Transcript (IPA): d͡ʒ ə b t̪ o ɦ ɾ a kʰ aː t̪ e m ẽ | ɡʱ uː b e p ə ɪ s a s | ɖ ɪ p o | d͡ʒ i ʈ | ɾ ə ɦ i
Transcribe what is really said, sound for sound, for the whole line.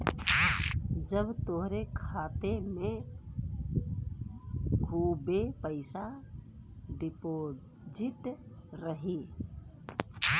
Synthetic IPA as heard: d͡ʒ ə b t̪ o ɦ ɾ e kʰ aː t̪ e m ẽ | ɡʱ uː b e p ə ɪ s a | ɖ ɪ p o | d͡ʒ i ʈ | ɾ ə ɦ i